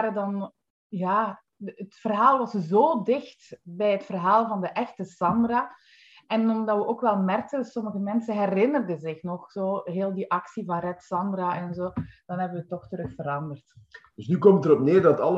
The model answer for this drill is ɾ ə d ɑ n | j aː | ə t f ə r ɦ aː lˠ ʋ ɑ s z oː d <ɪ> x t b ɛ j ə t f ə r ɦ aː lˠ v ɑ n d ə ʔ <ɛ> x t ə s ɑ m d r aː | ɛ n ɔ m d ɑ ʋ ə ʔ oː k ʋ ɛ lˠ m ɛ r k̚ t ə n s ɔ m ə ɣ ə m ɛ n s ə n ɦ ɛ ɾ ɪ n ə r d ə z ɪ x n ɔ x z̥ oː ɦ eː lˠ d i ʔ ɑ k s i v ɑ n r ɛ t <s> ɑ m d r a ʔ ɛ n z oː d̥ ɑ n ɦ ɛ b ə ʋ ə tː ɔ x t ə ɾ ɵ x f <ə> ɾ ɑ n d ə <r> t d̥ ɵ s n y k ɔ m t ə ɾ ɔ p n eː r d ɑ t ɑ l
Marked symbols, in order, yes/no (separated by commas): yes, yes, yes, yes, yes